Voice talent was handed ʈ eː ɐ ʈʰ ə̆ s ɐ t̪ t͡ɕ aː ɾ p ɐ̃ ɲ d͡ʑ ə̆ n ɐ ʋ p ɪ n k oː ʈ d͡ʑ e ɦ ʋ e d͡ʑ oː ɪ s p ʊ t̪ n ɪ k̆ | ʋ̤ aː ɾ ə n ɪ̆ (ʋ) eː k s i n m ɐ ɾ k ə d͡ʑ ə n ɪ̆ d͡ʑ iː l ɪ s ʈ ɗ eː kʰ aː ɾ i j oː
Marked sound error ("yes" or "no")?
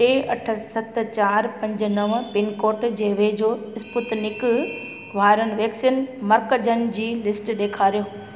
no